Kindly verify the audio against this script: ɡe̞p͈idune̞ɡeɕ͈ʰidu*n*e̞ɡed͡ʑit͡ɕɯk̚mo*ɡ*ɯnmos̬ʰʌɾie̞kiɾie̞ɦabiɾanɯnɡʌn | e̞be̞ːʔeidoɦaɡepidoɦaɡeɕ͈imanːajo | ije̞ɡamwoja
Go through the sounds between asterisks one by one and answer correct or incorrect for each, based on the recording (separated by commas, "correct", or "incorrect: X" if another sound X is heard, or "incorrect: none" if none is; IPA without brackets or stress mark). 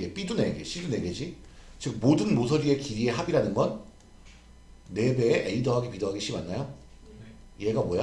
correct, incorrect: d